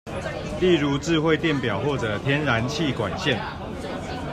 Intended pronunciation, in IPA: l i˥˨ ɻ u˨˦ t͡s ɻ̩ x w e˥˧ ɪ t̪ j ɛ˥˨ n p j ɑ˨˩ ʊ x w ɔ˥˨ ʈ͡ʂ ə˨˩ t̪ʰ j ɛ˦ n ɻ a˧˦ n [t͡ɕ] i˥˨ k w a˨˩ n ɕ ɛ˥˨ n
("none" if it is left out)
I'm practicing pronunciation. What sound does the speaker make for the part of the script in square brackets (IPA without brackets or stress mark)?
t͡ɕʰ